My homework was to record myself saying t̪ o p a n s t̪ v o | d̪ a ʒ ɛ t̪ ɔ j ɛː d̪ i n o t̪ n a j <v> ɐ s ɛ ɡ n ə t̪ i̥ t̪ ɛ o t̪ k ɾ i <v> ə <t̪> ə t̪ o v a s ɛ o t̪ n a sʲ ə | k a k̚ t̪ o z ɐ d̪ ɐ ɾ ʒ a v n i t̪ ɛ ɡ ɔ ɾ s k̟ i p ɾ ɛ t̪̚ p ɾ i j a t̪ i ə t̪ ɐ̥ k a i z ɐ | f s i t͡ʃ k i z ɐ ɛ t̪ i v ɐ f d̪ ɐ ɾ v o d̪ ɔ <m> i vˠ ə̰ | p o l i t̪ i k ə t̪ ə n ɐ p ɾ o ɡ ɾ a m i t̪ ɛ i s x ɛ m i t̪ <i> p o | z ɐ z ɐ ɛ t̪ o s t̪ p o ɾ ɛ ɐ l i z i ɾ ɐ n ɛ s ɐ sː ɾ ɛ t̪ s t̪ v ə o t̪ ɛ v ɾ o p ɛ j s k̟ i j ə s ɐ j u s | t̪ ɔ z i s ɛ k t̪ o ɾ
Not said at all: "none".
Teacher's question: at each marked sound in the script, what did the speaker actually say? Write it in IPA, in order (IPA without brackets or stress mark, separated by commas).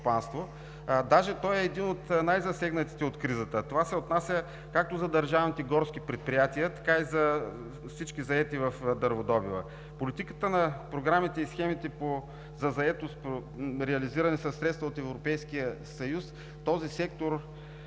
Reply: z, z, t̪, b, ɛ